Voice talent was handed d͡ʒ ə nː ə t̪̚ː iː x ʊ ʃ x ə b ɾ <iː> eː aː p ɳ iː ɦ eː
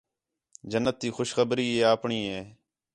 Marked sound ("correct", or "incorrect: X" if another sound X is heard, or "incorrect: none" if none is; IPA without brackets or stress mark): correct